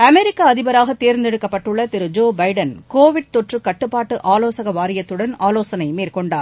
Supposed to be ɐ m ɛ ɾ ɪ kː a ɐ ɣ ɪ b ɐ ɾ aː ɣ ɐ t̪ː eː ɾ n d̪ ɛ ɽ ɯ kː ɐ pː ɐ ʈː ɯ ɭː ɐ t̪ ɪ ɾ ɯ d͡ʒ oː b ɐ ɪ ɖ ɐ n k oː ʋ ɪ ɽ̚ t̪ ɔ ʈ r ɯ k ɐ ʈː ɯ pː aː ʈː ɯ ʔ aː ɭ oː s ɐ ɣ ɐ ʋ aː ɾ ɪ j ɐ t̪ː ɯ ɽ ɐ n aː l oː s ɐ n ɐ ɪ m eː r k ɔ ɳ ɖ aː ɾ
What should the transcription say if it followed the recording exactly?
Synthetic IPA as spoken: ɐ m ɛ ɾ ɪ kː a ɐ ð ɪ b ɐ ɾ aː ɣ ɐ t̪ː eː ɾ n d̪ ɛ ɽ ɯ kː ɐ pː ɐ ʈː ɯ ɭː ɐ t̪ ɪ ɾ ɯ d͡ʒ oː b ɐ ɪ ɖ ɐ n k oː ʋ ɪ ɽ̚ t̪ ɔ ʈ r ɯ k ɐ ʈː ɯ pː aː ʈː ɯ ʔ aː l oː s ɐ ɣ ɐ ʋ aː ɾ ɪ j ɐ t̪ː ɯ ɽ ɐ n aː l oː s ɐ n ɐ ɪ m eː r k ɔ ɳ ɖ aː ɾ